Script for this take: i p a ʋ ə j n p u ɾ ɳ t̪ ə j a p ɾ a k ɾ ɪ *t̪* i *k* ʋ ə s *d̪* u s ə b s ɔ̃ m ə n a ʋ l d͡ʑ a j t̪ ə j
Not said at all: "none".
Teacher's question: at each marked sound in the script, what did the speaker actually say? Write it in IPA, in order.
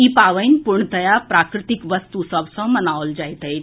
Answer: t̪, k, t̪

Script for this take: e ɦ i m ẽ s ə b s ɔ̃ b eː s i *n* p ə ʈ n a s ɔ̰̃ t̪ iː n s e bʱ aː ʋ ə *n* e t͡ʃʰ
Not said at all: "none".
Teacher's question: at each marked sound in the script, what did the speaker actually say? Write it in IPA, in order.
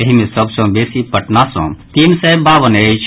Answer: none, n

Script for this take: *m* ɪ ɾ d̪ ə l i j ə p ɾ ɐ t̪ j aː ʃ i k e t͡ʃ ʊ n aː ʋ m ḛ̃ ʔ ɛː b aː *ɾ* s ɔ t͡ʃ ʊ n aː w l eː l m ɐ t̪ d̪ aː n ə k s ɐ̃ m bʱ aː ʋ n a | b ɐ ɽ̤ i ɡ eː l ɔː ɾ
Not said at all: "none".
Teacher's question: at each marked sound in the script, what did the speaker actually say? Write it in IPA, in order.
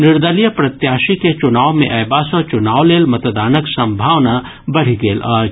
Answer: n, none

